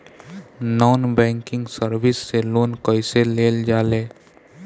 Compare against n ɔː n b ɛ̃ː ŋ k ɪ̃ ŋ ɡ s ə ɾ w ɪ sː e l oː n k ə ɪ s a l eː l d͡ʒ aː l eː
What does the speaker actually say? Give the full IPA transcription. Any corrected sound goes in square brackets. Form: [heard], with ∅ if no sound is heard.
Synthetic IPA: n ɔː n b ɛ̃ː ŋ k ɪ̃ ŋ ɡ s ə ɾ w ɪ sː e l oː n k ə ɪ s [e] l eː l d͡ʒ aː l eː